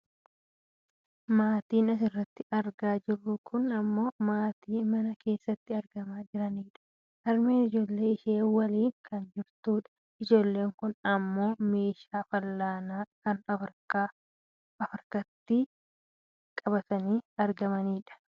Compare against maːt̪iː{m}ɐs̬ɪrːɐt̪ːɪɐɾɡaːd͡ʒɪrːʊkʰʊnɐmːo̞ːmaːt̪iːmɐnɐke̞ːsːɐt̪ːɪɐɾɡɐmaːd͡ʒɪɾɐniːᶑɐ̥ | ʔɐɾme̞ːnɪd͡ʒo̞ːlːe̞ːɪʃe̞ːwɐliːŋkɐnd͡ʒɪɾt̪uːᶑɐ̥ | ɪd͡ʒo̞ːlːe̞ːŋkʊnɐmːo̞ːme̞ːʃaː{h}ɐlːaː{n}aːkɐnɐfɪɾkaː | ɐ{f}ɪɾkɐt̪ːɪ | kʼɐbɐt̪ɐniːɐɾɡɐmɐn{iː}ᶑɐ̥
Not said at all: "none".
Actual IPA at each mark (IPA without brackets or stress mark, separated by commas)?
n, f, n, f, iː